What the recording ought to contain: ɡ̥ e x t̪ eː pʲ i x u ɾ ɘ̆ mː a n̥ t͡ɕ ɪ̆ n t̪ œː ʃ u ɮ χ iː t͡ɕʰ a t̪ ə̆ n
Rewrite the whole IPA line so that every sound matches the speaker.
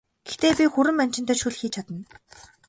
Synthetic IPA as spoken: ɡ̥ e x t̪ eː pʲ i x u ɾ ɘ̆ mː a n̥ t͡ɕ ɪ̆ n t̪ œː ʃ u ɮ x iː t͡ɕʰ a t̪ ə̆ n